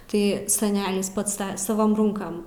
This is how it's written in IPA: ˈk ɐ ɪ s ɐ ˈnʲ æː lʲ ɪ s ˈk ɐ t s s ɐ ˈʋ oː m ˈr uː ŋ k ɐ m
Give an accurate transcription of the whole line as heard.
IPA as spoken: ˈt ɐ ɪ s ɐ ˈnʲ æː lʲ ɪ s ˈp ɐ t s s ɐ ˈʋ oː m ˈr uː ŋ k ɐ m